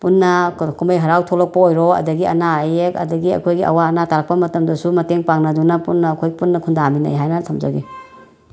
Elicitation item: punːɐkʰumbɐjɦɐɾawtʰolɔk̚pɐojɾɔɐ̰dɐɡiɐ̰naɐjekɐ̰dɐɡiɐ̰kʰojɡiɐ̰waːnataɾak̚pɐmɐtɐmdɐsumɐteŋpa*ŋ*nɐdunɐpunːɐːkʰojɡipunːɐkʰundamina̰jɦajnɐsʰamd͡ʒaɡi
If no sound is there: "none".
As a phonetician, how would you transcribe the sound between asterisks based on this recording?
ŋ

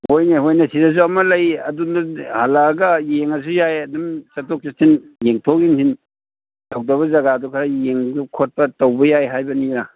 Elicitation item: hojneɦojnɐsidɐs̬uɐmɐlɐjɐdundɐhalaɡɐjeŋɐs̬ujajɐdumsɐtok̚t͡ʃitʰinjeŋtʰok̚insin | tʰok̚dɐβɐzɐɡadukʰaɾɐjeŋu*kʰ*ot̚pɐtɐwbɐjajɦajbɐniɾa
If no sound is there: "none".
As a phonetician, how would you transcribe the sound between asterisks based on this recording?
kʰ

